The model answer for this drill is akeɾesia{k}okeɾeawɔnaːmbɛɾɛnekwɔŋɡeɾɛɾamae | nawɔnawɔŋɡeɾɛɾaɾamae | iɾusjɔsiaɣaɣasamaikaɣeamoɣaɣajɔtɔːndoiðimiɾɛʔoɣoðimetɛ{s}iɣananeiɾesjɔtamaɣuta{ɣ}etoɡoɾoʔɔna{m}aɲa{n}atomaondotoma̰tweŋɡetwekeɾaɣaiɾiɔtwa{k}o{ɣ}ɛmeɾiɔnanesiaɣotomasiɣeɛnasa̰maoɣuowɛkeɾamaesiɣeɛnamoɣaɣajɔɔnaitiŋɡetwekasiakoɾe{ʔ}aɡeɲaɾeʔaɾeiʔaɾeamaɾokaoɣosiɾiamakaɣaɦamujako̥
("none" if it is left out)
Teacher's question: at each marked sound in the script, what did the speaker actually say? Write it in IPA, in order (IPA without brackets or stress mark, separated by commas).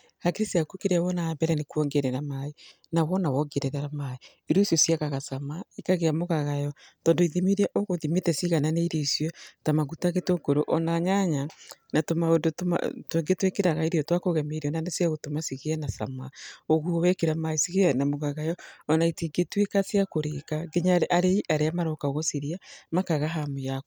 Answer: k, s, ɣ, ɲ, n, k, ɣ, k